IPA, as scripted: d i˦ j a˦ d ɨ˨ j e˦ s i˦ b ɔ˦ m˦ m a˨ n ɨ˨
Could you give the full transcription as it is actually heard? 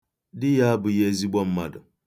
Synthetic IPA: d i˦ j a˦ b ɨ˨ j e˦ z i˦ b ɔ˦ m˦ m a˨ d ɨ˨